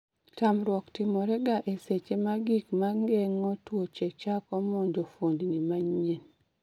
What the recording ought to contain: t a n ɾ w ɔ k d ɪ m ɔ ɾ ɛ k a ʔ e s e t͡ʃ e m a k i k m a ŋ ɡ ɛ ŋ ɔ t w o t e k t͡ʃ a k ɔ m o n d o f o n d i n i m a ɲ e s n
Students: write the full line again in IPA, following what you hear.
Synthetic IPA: t a m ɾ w ɔ k t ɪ m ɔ ɾ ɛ ɡ a ʔ e s e t͡ʃ e m a ɡ i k m a ŋ ɡ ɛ ŋ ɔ t w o t͡ʃ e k t͡ʃ a k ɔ m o n d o f o n d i n i m a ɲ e n